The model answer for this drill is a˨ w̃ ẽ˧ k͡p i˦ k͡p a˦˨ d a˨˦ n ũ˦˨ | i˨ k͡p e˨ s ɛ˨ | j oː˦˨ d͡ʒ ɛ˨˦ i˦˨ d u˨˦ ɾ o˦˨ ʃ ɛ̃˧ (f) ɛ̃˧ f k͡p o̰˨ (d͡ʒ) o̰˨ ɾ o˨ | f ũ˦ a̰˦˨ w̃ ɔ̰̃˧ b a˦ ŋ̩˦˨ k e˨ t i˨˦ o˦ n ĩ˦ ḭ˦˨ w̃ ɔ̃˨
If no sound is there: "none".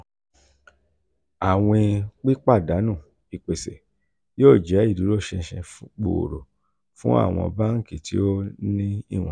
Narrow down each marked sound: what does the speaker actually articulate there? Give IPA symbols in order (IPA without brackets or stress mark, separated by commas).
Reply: ʃ, none